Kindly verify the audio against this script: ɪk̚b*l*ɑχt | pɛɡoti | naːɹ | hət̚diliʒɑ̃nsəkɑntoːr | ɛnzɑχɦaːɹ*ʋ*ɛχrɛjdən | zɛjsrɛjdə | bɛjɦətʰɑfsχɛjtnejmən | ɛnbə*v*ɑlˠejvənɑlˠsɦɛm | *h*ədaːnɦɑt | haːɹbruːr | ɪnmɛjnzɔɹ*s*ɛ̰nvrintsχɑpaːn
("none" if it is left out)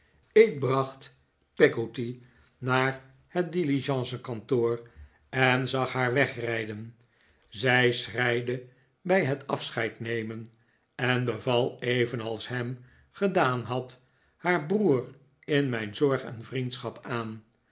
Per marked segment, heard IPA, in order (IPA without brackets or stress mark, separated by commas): r, ʋ, v, χ, χ